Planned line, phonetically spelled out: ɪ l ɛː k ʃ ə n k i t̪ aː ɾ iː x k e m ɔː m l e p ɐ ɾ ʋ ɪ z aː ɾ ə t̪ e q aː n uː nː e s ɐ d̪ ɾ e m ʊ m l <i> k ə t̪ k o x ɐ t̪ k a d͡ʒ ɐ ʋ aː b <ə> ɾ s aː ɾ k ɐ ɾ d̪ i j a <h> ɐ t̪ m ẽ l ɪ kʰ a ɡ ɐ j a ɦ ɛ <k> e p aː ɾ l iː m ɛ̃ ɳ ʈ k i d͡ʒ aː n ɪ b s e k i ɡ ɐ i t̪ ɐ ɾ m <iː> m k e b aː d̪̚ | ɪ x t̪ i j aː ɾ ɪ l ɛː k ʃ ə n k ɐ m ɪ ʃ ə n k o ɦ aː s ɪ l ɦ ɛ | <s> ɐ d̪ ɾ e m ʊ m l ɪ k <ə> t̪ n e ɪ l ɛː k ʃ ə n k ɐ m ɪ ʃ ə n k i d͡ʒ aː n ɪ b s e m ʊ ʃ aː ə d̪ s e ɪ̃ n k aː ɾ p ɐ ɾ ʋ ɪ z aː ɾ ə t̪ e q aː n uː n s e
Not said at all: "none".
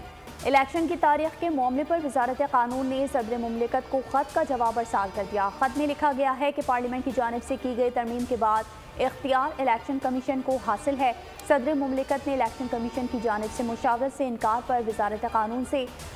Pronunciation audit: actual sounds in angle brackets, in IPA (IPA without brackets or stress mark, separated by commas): ɪ, ɐ, x, k, iː, s, ə